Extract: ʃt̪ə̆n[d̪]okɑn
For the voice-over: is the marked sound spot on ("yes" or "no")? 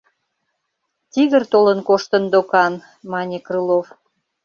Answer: yes